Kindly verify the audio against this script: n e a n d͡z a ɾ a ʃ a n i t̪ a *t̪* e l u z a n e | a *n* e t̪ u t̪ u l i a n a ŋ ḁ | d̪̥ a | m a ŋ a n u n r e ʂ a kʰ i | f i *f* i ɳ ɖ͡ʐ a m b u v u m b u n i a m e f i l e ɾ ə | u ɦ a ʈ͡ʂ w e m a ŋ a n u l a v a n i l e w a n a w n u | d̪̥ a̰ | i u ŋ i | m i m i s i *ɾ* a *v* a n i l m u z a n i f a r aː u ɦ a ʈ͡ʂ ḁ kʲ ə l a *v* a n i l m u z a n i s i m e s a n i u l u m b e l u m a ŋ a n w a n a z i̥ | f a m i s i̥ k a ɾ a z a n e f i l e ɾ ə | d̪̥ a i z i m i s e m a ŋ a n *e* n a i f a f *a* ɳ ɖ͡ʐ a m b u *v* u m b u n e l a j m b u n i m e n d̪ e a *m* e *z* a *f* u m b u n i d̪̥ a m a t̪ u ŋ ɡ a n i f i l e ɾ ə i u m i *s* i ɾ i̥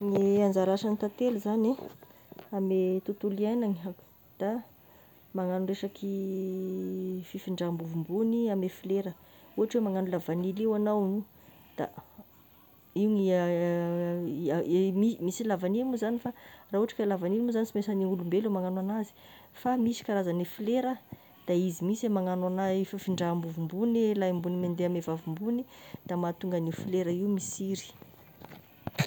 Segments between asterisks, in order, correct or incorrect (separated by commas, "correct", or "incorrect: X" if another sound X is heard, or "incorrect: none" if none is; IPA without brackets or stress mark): correct, incorrect: m, correct, incorrect: l, correct, correct, incorrect: a, incorrect: i, correct, correct, incorrect: v, incorrect: v, correct